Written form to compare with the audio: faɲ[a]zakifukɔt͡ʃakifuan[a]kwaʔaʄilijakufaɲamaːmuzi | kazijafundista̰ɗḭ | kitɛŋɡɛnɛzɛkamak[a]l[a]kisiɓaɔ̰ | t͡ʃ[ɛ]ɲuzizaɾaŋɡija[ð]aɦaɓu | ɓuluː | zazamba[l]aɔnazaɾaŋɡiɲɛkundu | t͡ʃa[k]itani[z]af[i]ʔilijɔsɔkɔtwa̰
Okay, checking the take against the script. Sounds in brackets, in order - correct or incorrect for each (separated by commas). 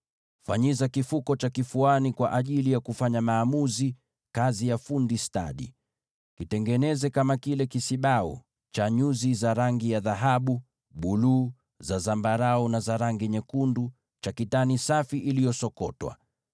incorrect, incorrect, incorrect, incorrect, incorrect, correct, incorrect, correct, incorrect, correct